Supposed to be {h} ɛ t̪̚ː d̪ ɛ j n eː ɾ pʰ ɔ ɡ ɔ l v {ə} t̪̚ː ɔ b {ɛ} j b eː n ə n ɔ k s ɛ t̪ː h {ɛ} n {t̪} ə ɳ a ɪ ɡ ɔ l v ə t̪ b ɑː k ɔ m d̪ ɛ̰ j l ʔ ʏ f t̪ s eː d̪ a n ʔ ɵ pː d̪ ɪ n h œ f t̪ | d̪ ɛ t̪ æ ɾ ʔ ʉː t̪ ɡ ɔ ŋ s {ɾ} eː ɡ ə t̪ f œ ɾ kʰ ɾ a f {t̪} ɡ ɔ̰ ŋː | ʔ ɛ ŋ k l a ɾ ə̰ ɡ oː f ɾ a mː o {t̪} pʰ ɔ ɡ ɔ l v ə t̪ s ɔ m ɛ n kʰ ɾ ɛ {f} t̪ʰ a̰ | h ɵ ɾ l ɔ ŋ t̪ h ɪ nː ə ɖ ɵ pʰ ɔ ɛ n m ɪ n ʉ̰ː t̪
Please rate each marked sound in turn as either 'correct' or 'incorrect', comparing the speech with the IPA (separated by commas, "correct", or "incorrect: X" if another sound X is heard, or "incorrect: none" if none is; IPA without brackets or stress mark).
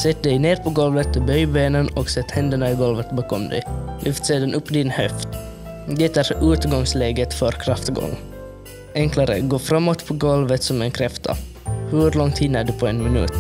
incorrect: s, correct, incorrect: œ, correct, incorrect: d̪, incorrect: l, correct, correct, correct